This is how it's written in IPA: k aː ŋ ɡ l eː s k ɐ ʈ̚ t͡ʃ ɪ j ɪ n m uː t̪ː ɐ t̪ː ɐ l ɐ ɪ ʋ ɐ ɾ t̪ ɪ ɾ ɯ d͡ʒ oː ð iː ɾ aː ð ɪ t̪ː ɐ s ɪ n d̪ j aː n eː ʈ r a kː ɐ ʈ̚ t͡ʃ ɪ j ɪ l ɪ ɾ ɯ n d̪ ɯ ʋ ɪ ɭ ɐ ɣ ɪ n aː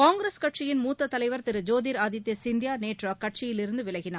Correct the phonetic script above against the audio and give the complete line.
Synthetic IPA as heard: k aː ŋ ɡ ɾ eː s k ɐ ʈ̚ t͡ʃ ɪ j ɪ n m uː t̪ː ɐ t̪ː ɐ l ɐ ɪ ʋ ɐ ɾ t̪ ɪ ɾ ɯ d͡ʒ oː ð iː ɾ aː ð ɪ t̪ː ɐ s ɪ n d̪ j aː n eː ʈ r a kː ɐ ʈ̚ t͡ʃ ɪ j ɪ l ɪ ɾ ɯ n d̪ ɯ ʋ ɪ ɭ ɐ ɣ ɪ n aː